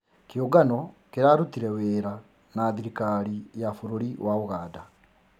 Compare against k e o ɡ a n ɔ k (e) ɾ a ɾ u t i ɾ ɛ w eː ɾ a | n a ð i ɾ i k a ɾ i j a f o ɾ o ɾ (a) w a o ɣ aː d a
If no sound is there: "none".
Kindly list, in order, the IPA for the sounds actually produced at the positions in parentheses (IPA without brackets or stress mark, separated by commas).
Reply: e, i